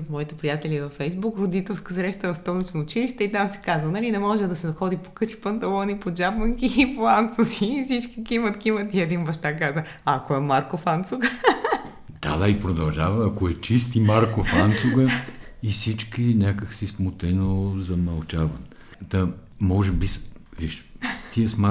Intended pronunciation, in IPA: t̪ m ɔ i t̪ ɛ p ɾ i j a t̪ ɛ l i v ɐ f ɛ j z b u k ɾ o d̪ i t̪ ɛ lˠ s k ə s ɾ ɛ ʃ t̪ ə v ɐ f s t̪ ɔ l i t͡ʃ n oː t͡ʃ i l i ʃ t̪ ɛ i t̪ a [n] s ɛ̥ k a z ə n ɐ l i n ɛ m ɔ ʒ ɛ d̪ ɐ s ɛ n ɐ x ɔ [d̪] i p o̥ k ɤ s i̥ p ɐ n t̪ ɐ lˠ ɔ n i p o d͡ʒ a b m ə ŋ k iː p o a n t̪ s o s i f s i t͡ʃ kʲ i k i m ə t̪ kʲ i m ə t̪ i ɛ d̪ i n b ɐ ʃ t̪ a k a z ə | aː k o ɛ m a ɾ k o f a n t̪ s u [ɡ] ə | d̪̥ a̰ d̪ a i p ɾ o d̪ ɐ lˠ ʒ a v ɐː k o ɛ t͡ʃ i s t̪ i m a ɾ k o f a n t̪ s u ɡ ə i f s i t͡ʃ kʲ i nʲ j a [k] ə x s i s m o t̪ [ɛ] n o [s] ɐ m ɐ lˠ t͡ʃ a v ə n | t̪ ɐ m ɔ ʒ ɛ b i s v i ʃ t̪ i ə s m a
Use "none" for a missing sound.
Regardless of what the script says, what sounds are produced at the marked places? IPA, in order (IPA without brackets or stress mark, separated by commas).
m, d̪, ɡ, k, ɛ, z